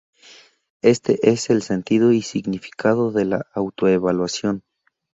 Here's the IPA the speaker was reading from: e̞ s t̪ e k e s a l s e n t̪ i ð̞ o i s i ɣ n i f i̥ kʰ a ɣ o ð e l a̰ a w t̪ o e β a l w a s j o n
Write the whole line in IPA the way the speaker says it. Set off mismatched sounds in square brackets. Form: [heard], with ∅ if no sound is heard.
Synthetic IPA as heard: e̞ s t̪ e [ʔ] e s [e] l s e n t̪ i ð̞ o i s i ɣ n i f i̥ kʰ a [ð] o ð e l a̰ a w t̪ o e β a l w a s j o n